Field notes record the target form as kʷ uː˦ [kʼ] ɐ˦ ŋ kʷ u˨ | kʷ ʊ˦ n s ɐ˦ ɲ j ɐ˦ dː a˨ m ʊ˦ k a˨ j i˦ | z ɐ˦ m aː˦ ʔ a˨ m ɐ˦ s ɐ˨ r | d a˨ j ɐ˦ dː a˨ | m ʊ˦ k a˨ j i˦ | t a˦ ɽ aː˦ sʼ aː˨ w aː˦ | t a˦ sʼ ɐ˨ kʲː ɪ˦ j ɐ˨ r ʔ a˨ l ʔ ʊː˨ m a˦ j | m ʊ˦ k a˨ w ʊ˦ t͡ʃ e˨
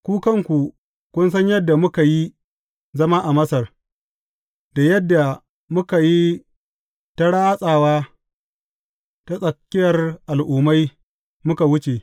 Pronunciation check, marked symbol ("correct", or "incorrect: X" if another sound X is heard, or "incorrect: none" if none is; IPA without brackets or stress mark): incorrect: k